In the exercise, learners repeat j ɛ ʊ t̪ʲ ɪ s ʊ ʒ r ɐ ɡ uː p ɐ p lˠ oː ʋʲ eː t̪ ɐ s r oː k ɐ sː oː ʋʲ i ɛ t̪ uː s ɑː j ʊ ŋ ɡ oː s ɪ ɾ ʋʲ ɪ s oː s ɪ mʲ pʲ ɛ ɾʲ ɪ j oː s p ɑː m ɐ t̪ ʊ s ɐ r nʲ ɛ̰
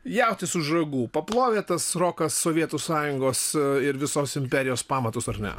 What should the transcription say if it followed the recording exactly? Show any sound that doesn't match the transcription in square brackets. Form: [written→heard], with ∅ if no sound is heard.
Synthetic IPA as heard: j ɛ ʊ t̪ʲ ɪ s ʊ ʒ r ɐ ɡ uː p ɐ p lˠ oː ʋʲ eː t̪ ɐ s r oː k ɐ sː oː ʋʲ i ɛ t̪ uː s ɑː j ʊ ŋ ɡ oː s ɪ ɾ ʋʲ ɪ s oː s ɪ mʲ pʲ ɛ ɾʲ ɪ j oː s p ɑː m ɐ t̪ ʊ s ɐ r nʲ ɛ̰